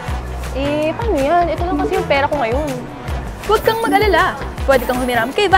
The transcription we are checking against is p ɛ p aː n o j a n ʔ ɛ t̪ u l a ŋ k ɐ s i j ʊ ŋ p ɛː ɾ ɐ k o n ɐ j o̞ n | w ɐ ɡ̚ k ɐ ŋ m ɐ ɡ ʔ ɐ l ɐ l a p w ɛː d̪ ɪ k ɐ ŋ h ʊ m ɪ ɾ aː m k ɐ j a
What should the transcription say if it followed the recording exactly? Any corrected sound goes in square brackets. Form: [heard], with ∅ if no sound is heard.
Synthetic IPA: [ʔ] ɛ p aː n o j a n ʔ ɛ t̪ [o] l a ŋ k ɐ s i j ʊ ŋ p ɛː ɾ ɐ k o [ŋ] ɐ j o̞ n | w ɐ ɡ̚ k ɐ ŋ m ɐ ɡ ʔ ɐ l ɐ l a p w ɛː d̪ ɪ k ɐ ŋ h ʊ m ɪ ɾ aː m k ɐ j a